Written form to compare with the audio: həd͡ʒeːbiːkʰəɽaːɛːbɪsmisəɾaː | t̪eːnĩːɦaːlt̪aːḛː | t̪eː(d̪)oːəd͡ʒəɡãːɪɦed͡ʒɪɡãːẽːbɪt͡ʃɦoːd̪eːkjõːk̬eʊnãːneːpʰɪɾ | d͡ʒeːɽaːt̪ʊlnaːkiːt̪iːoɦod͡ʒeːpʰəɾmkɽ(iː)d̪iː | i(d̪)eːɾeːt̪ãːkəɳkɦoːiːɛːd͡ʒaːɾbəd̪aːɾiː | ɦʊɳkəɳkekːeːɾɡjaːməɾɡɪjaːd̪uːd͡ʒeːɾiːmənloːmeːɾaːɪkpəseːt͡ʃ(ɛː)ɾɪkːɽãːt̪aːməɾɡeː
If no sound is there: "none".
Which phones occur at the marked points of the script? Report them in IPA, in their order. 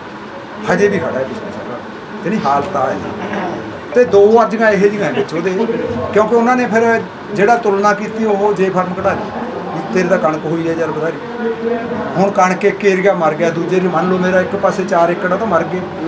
d̪, aː, t̪, aː

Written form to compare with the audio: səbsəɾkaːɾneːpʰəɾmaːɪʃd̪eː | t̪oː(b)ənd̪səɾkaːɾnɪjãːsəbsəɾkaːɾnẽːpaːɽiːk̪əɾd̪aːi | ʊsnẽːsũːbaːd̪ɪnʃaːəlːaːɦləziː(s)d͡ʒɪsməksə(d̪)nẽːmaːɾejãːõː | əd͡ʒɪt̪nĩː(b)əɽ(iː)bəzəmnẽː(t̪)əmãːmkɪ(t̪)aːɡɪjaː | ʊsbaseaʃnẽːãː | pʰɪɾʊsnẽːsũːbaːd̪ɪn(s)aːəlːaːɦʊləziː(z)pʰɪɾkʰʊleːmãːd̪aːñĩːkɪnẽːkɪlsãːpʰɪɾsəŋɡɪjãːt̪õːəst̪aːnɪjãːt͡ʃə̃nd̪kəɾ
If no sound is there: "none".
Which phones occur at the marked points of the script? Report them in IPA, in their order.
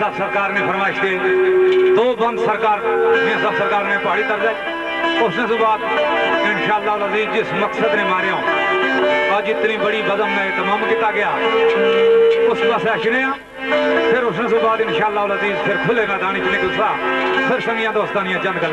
b, z, d̪, b, iː, t̪, t̪, ʃ, z

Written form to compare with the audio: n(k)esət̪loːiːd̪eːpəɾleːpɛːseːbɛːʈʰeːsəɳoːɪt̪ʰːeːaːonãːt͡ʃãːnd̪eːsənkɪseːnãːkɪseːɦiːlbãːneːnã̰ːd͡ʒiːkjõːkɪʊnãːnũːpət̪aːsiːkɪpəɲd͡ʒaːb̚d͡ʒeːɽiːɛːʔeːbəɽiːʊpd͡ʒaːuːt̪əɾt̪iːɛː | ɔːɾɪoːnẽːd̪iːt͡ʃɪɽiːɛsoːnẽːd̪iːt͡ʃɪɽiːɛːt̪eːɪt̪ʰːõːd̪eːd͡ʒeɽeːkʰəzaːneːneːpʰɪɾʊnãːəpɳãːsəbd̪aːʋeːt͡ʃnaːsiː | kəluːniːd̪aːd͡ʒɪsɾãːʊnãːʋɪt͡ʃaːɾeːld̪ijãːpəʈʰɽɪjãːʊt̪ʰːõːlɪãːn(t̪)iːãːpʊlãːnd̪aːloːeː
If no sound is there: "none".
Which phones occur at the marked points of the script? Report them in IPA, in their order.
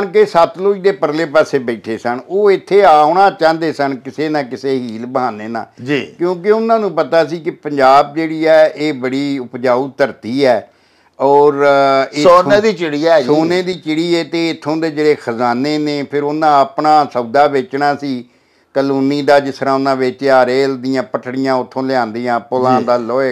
k, d̪

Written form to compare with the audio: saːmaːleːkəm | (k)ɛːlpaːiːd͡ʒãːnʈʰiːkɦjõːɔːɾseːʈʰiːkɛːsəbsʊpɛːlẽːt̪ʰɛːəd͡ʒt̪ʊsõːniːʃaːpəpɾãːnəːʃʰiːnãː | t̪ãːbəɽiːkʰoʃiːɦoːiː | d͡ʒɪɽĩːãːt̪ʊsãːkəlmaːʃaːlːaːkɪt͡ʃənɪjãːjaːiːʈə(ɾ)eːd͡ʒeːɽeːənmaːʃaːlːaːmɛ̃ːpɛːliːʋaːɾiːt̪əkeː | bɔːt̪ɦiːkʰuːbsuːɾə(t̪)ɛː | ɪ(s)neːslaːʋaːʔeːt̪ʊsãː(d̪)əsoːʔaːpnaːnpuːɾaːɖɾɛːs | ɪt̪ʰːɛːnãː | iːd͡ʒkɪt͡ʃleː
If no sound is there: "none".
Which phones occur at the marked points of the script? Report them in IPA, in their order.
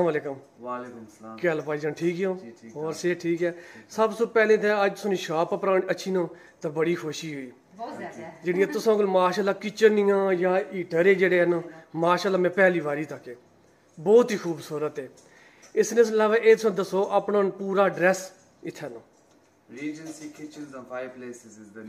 k, ɾ, t̪, s, d̪

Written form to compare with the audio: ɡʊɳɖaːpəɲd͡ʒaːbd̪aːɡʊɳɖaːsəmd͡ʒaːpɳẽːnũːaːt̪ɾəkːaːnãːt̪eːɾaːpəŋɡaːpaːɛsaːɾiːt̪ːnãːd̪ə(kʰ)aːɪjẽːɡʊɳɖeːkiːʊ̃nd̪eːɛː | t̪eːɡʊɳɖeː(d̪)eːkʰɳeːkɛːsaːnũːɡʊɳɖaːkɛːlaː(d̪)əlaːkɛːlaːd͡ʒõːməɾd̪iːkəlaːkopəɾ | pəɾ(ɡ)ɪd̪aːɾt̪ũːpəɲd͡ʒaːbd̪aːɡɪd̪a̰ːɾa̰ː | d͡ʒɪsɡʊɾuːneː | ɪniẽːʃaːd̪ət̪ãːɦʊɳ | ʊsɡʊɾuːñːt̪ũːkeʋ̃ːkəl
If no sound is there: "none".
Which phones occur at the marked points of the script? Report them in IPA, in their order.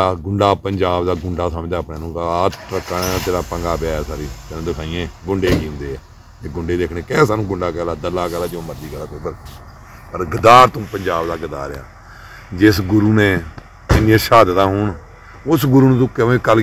kʰ, d̪, d̪, ɡ

